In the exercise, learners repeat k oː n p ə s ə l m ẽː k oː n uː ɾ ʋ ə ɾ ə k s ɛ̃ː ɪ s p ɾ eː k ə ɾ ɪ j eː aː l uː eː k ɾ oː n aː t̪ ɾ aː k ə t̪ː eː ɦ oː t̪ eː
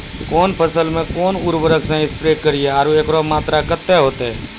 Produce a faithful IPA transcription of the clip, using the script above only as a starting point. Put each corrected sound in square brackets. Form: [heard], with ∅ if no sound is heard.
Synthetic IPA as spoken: k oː n p ə s ə l m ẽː k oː n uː ɾ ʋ ə ɾ ə k s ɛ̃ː ɪ s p ɾ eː k ə ɾ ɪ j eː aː [ɾ] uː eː k ɾ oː [m] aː t̪ ɾ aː k ə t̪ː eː ɦ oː t̪ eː